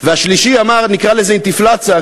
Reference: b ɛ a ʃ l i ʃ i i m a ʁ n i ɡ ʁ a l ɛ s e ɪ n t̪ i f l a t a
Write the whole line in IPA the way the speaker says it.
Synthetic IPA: v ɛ a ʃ l i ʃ i a m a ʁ n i k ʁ a l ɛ z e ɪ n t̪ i f l a t͡s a